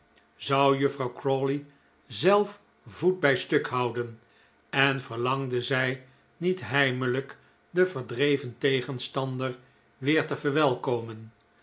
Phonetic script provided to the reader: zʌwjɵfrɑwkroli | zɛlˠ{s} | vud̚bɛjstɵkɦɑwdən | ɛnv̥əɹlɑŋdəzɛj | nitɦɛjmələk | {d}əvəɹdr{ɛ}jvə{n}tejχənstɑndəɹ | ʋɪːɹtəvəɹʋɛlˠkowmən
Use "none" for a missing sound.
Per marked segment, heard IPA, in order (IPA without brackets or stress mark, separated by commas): f, d, e, n